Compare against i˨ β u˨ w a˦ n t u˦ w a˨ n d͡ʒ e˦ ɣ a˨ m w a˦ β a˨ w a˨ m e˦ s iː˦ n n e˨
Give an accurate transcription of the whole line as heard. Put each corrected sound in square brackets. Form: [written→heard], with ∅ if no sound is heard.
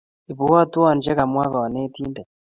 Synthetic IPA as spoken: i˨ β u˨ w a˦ [n→∅] t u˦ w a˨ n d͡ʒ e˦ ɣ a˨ m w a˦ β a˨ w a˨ [m→n] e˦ [s→t] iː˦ n [n→d] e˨

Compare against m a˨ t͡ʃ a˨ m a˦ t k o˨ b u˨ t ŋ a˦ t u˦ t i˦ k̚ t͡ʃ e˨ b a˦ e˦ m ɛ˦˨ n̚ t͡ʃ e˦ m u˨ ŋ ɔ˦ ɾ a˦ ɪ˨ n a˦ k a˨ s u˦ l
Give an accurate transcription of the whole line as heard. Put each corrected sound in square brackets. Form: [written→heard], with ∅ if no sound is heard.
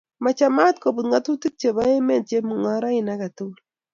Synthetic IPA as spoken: m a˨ t͡ʃ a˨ m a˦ t k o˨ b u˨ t ŋ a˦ t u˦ t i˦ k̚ t͡ʃ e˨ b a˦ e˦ m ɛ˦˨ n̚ t͡ʃ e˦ m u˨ ŋ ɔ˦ ɾ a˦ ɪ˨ n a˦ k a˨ [s→t] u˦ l

